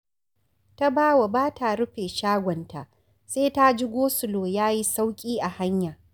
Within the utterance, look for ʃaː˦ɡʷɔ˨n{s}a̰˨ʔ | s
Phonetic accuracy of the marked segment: incorrect: t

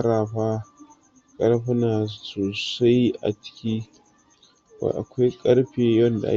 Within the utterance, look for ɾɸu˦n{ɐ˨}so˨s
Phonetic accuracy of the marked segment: incorrect: a˨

